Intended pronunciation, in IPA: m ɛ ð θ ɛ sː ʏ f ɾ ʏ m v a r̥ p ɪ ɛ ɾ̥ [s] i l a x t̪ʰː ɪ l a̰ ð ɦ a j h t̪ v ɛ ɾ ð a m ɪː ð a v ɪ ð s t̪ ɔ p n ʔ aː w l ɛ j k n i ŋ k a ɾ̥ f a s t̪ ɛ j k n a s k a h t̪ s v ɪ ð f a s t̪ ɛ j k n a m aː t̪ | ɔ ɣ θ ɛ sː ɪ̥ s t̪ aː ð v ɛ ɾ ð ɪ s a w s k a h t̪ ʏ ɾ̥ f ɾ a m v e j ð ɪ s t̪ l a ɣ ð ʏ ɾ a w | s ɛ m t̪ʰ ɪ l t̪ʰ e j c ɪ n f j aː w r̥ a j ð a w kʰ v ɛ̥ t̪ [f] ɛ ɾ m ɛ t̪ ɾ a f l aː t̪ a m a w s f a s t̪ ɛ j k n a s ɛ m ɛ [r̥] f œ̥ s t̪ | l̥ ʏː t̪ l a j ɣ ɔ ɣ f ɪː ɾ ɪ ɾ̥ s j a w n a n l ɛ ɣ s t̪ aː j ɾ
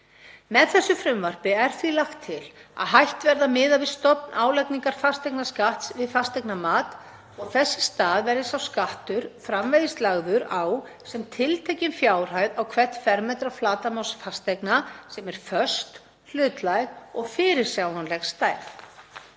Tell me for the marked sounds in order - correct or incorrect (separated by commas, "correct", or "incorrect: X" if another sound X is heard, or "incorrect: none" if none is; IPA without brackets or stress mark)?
incorrect: θ, correct, incorrect: ɾ̥